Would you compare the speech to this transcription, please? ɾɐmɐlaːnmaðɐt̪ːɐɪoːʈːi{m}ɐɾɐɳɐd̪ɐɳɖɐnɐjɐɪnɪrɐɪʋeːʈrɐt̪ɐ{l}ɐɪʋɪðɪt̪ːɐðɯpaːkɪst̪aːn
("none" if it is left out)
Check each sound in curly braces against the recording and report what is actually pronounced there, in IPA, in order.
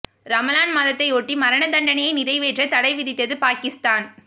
m, ɽ

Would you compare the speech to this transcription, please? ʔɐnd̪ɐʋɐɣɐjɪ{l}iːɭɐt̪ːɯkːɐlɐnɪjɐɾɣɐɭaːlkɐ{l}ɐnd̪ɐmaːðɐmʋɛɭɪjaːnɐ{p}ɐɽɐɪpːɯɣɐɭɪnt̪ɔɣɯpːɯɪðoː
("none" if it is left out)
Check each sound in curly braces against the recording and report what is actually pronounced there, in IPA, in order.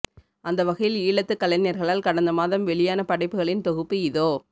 l, ɽ, p

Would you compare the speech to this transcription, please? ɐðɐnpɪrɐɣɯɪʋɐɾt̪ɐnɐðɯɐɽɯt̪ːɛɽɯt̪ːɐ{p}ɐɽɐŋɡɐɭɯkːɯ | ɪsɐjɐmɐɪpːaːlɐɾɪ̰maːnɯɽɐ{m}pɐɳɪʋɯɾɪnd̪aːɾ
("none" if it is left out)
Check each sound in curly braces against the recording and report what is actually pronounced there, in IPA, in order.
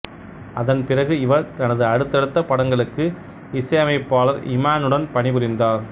p, n

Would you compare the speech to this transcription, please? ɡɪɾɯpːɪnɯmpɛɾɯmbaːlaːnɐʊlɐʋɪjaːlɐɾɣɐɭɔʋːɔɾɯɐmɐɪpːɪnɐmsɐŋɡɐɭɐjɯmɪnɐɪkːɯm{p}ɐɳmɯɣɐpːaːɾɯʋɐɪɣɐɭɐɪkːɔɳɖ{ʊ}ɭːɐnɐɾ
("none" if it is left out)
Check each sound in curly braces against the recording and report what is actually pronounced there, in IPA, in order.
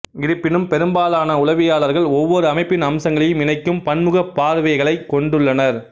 p, ɯ

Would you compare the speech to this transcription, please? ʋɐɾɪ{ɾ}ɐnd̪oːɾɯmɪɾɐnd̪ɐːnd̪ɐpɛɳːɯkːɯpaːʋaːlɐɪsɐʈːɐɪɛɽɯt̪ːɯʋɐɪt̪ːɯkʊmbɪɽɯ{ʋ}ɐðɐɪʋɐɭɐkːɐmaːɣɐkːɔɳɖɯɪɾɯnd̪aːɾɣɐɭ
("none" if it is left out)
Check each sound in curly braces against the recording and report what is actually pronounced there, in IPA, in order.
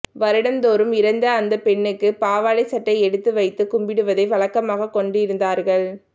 ɽ, ʋ

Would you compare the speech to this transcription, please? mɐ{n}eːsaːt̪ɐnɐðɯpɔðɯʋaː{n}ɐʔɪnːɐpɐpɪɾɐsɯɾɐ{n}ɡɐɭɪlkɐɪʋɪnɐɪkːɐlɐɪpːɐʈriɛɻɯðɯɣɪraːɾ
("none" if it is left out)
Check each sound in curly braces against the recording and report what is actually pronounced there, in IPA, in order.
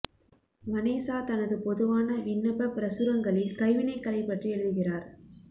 n, n, ŋ

